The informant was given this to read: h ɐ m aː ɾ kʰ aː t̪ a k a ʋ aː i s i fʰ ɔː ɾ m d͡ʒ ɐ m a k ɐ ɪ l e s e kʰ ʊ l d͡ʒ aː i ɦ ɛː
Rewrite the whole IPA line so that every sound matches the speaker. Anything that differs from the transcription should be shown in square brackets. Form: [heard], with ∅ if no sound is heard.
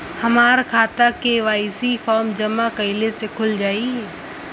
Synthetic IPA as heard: h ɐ m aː ɾ kʰ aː t̪ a k [e] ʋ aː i s i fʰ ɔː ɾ m d͡ʒ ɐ m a k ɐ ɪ l e s e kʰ ʊ l d͡ʒ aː i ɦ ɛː